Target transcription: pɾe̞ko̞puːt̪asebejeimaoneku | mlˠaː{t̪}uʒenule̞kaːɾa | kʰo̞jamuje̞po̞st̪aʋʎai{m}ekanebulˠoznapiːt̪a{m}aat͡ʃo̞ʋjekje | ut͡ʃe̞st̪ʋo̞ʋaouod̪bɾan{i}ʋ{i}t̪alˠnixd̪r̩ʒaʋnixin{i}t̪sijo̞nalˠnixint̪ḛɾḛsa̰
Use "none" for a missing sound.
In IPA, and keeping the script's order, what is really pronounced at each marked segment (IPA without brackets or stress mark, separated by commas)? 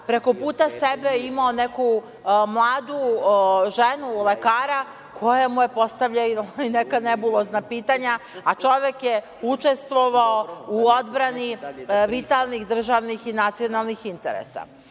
d̪, n, ɲ, i, i, a